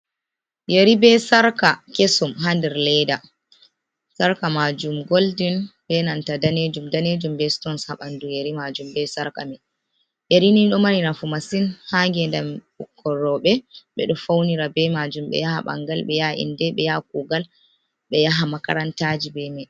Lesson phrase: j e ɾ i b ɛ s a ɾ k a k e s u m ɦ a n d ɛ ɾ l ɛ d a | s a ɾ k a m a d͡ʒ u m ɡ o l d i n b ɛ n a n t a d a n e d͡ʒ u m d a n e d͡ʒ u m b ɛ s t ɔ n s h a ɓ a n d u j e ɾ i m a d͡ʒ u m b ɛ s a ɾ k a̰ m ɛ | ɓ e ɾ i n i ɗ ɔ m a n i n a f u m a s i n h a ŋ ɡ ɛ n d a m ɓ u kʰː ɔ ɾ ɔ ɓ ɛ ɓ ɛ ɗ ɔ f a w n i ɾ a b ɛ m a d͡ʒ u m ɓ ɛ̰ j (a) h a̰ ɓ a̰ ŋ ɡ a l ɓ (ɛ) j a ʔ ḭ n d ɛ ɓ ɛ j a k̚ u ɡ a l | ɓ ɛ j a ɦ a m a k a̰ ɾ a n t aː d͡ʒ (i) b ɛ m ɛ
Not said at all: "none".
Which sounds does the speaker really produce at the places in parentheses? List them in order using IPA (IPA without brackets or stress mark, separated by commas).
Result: a, ɛ, i